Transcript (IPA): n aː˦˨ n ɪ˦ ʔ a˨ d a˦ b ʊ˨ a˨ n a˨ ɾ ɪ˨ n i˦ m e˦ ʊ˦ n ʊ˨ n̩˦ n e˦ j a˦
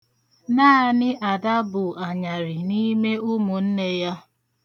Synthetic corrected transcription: n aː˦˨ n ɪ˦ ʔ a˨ d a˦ b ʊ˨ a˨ ɲ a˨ ɾ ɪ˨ n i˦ m e˦ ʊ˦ m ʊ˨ n̩˦ n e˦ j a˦